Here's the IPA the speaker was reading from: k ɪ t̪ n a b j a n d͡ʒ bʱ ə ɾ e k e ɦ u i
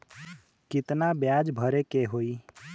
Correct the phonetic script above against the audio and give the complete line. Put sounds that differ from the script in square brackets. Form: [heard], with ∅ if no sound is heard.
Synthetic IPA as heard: k ɪ t̪ n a b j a [∅] d͡ʒ bʱ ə ɾ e k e ɦ [o] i

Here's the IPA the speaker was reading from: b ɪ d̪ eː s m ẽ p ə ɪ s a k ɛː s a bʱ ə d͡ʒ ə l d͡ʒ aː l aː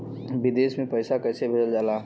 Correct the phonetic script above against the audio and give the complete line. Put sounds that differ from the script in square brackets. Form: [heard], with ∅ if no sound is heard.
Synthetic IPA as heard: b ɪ d̪ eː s m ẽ p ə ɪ s a k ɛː s [e] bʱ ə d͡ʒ ə l d͡ʒ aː l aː

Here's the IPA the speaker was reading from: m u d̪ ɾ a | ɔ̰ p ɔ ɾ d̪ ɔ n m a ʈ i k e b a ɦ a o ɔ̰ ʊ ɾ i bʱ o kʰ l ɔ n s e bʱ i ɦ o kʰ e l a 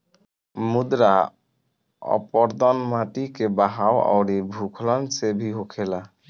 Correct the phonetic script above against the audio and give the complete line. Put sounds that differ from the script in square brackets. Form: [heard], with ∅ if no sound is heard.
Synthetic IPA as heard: m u d̪ ɾ a | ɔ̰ p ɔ ɾ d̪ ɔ n m a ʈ i k e b a ɦ a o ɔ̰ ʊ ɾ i bʱ [u] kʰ l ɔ n s e bʱ i ɦ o kʰ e l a

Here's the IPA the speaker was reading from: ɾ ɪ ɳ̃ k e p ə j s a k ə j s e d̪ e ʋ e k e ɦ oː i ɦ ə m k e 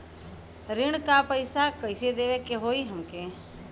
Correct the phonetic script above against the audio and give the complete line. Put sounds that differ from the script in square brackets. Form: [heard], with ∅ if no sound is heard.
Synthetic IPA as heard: ɾ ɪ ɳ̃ k [a] p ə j s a k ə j s e d̪ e ʋ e k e ɦ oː i ɦ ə m k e

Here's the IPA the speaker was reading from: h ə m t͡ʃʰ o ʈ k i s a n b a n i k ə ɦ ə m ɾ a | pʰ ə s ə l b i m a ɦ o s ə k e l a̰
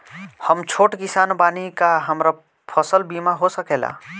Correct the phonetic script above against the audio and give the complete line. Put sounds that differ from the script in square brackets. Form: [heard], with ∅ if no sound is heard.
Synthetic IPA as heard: h ə m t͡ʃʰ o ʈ k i s a n b a n i k [a] ɦ ə m ɾ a | pʰ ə s ə l b i m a ɦ o s ə k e l a̰

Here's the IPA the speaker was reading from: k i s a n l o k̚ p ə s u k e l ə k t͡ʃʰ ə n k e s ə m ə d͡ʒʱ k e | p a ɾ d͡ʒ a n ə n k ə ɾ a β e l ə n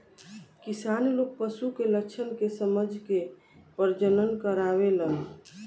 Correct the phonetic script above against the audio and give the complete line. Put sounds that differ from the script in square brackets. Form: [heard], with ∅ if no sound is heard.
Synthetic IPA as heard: k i s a n l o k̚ p ə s u k e l ə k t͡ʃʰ ə n k e s ə m ə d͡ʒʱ k e | p [ə] ɾ d͡ʒ [ə] n ə n k ə ɾ a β e l ə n

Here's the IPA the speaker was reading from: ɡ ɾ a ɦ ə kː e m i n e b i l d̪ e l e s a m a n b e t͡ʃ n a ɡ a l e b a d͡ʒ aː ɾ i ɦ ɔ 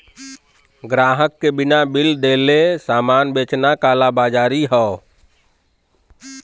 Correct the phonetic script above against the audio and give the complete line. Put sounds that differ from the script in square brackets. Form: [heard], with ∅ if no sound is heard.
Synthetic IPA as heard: ɡ ɾ a ɦ ə kː e [b] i n [a] b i l d̪ e l e s a m a n b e t͡ʃ n a [k] a l [a] b a d͡ʒ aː ɾ i ɦ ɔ

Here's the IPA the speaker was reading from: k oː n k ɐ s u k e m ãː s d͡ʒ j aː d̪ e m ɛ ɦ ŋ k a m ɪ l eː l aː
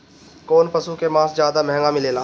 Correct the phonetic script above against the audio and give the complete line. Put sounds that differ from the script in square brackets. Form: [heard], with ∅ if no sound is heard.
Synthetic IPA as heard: k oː n [p] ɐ s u k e m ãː s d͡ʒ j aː d̪ [a] m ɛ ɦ ŋ [ɡ] a m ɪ l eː l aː

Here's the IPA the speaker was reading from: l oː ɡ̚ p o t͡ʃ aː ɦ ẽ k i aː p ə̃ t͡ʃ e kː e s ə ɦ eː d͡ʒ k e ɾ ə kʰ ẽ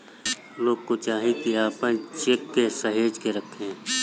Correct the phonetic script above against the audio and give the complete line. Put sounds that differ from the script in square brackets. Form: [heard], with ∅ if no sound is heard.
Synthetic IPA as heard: l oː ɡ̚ [k] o t͡ʃ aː ɦ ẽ k i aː p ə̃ t͡ʃ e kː e s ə ɦ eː d͡ʒ k e ɾ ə kʰ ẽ

